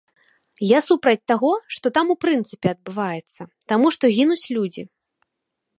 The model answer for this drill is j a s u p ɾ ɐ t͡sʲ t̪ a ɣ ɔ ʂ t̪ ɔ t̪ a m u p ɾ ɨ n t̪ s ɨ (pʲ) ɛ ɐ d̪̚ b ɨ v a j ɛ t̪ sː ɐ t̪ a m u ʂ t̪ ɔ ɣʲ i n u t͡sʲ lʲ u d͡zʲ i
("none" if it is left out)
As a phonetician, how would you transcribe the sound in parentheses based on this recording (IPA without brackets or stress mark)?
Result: pʲ